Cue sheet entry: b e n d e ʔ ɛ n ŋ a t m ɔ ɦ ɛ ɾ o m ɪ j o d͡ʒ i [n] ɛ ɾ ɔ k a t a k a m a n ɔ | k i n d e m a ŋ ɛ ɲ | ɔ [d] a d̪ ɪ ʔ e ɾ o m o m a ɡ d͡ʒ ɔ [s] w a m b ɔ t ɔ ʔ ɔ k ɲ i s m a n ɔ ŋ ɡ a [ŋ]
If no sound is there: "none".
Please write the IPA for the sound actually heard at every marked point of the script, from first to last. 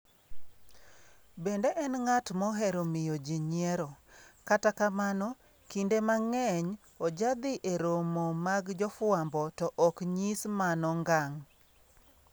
ɲ, d͡ʒ, f, ŋ

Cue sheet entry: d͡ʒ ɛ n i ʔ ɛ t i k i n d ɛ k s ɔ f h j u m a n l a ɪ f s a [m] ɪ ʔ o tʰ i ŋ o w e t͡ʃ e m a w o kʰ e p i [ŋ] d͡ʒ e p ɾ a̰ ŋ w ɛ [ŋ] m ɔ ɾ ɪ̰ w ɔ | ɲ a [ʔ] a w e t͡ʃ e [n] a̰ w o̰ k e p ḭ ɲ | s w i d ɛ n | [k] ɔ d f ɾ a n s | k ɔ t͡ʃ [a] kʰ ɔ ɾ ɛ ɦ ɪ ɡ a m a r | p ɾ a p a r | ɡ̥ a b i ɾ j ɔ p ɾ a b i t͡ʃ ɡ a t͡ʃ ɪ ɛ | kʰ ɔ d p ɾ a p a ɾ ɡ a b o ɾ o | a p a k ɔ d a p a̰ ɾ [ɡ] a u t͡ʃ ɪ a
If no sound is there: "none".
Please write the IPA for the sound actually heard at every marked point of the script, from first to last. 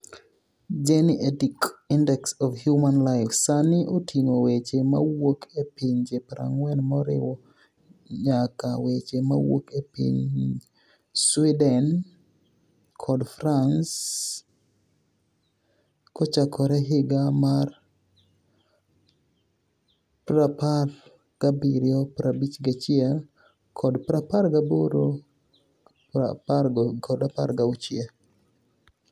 n, ɲ, n, k, m, kʰ, a, ɡ

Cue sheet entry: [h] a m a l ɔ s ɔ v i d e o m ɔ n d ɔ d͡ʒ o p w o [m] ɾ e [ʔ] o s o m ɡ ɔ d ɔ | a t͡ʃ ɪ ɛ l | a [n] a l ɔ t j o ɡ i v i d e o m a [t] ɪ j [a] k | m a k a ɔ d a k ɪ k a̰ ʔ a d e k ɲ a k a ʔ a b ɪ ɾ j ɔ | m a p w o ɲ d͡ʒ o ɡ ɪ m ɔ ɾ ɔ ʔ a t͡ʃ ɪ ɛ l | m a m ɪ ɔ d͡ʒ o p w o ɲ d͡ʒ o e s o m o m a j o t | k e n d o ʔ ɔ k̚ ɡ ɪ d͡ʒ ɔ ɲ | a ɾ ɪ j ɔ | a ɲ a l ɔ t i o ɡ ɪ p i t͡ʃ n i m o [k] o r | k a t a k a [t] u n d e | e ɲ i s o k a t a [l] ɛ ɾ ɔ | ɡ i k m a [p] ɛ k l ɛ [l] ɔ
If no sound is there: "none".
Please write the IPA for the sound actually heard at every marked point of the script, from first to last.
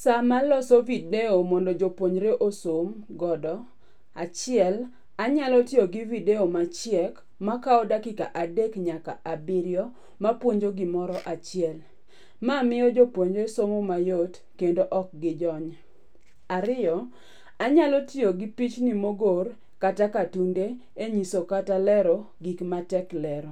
s, ɲ, ʔ, ɲ, t͡ʃ, ɛ, ɡ, t, l, t, ɾ

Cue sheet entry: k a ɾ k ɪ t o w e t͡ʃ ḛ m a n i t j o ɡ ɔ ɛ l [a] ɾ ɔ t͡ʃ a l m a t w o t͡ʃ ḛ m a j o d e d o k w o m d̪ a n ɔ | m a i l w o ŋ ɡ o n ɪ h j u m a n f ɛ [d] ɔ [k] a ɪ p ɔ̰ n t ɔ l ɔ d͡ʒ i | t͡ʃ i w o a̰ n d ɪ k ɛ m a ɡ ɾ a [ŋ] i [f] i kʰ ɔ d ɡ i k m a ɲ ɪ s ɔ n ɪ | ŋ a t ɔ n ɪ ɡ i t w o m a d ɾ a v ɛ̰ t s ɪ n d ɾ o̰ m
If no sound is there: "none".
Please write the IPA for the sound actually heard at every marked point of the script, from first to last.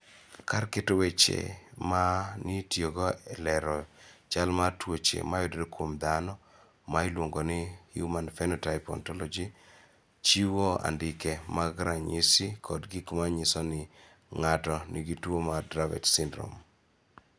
ɛ, n, t, ɲ, s

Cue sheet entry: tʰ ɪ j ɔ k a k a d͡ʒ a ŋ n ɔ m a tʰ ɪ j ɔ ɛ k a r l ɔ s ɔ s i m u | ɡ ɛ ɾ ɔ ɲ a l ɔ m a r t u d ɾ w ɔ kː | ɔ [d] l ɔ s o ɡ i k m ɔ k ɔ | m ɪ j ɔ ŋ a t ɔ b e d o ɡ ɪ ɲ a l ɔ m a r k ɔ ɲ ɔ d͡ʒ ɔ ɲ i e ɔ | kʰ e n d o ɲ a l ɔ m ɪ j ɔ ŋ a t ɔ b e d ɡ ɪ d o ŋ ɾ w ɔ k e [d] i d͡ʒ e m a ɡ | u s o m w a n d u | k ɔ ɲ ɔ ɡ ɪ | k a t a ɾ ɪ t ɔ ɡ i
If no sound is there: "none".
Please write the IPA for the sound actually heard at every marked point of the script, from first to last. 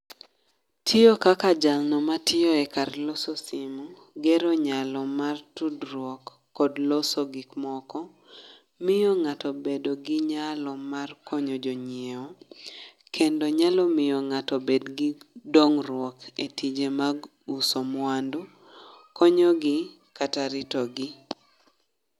d, t

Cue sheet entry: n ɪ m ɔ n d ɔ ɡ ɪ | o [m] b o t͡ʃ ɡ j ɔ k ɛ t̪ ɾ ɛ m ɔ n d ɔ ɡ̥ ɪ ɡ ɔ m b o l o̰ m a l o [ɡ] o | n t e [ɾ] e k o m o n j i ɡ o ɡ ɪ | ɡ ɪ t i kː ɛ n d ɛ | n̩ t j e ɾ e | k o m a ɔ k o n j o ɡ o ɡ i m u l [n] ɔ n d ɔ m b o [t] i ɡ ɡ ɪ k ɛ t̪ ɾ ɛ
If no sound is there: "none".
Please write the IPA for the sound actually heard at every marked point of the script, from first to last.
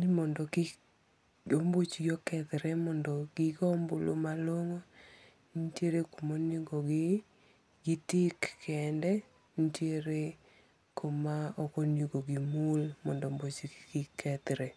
m, ŋ, ɾ, m, t͡ʃ

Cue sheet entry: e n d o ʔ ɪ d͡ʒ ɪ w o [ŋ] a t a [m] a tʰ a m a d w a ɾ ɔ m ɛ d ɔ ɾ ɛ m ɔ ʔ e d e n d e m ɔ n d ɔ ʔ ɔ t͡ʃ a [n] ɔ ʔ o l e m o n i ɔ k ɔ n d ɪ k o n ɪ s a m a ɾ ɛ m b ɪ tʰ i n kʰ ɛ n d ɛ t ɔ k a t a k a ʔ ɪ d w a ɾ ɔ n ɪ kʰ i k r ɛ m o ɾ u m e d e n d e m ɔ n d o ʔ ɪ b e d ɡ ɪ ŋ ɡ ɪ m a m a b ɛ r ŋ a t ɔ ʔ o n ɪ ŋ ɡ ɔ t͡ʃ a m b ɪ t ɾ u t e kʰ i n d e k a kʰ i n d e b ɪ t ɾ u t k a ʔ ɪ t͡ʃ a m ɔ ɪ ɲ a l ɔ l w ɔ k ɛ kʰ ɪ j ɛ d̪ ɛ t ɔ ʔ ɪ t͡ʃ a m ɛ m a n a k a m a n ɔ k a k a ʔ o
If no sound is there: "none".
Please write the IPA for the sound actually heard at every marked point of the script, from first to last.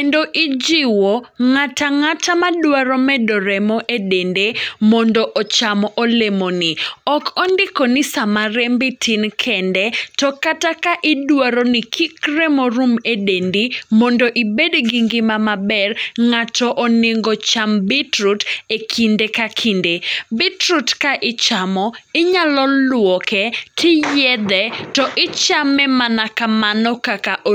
ŋ, ŋ, m

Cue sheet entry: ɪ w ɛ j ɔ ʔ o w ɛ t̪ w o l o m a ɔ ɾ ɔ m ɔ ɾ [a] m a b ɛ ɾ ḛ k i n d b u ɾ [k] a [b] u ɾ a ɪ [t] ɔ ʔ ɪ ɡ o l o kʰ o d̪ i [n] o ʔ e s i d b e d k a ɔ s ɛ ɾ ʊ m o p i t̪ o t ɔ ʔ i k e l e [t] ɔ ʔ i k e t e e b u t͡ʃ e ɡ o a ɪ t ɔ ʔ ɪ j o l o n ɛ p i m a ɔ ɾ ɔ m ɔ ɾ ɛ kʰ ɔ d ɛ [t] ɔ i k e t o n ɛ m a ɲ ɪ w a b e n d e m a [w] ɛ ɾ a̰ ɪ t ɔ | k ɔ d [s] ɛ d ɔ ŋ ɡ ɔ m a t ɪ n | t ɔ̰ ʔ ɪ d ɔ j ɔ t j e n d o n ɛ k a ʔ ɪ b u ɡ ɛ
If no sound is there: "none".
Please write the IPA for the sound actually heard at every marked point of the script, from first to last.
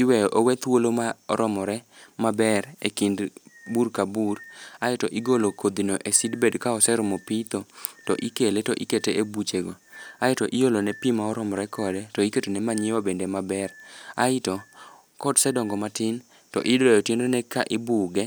ɛ, k, b, t, n, t, t, b, s

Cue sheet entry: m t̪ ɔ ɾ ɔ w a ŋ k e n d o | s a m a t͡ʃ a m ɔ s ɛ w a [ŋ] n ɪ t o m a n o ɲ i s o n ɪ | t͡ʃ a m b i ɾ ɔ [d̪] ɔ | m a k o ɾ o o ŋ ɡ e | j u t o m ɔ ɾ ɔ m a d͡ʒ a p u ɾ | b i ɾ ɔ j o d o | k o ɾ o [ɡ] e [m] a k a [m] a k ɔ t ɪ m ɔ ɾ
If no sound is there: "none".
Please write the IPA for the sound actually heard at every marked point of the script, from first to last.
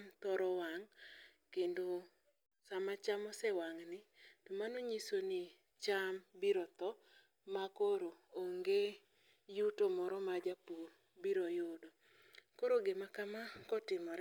ŋ, t̪, ɡ, m, m

